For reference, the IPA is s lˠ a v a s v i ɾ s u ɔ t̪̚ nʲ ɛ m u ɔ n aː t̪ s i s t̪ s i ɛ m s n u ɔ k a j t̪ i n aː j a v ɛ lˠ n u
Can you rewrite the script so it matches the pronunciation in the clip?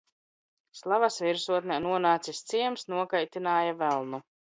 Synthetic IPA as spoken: s lˠ a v a s v i ɾ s u ɔ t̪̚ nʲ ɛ n u ɔ n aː t̪ s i s t̪ s i ɛ m s n u ɔ k a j t̪ i n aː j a v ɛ lˠ n u